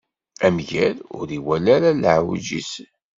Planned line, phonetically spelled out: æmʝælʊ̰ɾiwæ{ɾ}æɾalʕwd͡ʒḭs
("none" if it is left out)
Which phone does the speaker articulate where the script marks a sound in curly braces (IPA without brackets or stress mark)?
l